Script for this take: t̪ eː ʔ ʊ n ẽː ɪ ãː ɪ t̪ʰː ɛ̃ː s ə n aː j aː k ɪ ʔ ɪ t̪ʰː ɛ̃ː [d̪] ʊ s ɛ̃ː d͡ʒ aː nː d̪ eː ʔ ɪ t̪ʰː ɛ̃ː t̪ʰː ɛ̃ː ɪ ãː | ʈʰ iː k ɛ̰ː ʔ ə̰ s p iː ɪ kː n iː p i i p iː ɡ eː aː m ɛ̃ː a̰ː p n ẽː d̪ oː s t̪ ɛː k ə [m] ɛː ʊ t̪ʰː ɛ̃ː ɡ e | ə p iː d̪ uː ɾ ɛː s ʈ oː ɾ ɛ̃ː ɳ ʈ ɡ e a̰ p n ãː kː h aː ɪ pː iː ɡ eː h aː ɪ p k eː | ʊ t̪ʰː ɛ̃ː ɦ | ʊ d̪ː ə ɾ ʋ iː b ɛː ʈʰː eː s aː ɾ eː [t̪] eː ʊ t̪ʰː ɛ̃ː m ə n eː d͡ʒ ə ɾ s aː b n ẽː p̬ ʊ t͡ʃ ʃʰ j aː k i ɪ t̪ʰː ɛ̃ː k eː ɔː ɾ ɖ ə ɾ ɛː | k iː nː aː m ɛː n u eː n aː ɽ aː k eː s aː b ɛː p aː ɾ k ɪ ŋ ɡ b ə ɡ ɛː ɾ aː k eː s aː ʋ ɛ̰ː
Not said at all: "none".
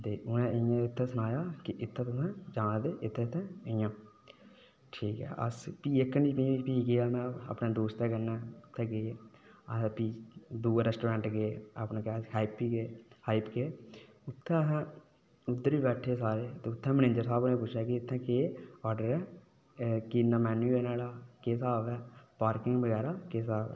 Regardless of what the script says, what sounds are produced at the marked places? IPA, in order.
t̪, n, t̪

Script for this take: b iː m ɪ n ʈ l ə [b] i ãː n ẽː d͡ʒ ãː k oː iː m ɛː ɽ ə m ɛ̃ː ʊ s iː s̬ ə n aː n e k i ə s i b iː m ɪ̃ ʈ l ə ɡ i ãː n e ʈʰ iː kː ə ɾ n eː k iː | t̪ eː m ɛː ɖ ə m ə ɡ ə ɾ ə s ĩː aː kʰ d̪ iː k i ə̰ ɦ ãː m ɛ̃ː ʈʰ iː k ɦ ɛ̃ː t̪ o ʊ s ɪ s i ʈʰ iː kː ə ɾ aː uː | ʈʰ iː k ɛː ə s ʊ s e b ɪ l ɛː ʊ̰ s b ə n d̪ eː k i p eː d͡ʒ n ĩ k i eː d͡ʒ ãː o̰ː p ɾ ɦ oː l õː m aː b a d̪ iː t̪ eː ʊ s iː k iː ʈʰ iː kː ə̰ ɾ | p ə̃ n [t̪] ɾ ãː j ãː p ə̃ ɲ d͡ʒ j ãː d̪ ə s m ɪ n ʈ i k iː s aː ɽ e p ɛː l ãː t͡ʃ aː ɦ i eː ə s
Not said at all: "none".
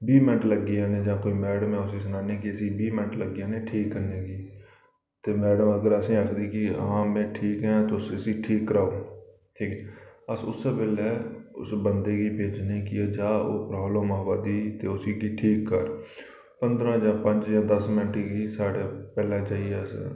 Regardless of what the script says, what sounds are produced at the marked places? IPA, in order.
ɡ, d̪

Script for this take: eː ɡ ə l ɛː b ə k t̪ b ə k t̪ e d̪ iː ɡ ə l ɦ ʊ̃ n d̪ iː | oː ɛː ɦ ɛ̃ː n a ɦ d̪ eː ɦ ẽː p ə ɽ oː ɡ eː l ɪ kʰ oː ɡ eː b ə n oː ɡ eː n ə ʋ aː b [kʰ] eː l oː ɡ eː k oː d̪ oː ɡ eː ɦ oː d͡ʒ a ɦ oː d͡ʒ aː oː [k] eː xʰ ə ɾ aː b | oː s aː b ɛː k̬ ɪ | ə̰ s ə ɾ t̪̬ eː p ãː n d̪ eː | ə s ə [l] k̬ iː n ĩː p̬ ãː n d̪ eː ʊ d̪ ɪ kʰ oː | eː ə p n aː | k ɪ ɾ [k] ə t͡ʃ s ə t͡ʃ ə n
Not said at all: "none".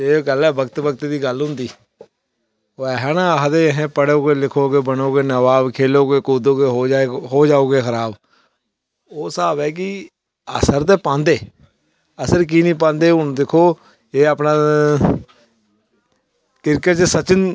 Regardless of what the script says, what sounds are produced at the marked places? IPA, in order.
kʰ, ɡ, ɾ, k

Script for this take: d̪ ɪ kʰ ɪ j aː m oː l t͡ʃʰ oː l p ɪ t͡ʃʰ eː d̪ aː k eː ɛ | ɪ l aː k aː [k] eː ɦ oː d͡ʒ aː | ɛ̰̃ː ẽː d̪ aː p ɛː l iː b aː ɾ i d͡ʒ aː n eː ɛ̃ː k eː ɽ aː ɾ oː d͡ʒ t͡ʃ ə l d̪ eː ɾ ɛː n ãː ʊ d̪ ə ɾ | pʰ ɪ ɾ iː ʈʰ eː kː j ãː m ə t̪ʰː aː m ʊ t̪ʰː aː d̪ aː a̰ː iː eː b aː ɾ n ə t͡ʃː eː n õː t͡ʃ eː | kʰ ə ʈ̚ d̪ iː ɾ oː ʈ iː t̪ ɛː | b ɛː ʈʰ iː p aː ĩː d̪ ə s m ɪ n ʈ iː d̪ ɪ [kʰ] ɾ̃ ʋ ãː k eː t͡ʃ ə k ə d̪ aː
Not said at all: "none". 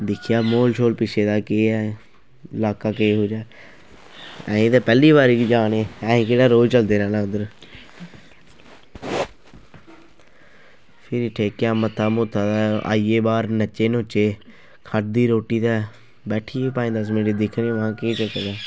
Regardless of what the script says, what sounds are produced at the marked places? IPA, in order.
k, kʰ

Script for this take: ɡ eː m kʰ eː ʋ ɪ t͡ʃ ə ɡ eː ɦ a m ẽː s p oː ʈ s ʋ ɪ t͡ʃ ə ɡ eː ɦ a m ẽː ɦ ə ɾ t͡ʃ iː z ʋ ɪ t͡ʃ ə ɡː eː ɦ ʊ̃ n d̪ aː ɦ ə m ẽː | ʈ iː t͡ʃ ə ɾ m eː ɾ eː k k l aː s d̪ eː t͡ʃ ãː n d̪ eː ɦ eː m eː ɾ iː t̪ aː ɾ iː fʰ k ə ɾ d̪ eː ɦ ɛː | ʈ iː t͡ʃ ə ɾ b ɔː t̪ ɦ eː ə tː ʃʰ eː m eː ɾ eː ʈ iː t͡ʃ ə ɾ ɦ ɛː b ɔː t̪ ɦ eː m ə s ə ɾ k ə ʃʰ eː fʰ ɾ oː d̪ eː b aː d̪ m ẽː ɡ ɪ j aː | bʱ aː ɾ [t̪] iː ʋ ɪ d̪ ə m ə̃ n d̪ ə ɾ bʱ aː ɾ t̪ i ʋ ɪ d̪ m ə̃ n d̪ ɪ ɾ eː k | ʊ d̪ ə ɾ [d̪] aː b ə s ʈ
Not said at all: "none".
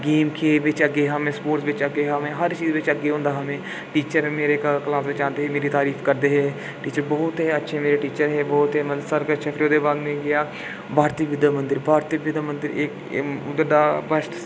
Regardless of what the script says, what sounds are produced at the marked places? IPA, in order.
t̪, d̪

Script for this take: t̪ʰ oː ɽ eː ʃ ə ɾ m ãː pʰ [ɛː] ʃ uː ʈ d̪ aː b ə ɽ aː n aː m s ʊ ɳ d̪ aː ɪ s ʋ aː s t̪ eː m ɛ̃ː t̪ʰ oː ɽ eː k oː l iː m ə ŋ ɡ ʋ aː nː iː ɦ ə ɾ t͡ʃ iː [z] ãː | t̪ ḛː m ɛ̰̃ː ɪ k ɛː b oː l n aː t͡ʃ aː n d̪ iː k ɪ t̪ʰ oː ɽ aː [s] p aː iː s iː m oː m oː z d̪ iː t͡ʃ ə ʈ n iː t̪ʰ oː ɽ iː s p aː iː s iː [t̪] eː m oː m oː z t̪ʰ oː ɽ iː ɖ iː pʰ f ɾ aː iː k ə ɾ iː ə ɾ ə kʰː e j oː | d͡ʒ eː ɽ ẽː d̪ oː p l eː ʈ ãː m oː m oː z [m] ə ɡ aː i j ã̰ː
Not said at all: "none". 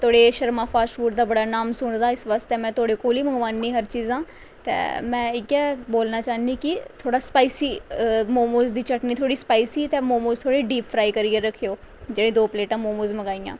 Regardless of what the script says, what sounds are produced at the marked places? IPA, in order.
aː, z, s, t̪, m

